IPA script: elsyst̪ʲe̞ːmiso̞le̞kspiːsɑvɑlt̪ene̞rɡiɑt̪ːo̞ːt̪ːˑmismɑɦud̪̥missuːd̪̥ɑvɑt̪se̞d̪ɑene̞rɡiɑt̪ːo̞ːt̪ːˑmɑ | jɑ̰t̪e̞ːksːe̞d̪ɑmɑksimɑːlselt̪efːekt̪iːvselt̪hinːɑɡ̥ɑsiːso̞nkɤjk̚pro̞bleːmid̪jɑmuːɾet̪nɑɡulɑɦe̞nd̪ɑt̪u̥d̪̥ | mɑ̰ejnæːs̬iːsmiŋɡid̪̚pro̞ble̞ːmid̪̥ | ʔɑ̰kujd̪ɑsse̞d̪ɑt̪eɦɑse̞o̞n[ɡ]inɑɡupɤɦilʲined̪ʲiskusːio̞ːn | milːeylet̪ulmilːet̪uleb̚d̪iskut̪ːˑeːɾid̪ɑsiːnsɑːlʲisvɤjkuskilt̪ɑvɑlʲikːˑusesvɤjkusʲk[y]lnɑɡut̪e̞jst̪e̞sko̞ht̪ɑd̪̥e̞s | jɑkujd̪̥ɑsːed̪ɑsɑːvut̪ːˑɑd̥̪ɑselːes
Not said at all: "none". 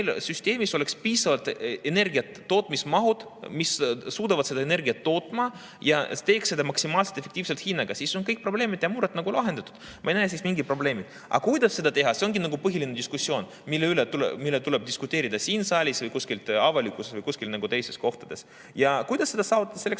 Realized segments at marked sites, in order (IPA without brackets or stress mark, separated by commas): ɡ, i